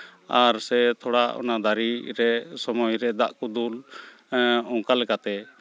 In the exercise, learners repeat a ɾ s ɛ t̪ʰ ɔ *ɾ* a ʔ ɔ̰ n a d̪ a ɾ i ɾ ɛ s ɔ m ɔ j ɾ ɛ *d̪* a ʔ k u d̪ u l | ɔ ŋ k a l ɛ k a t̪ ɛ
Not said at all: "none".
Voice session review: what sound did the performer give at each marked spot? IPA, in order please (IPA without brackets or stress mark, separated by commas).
ɽ, d̪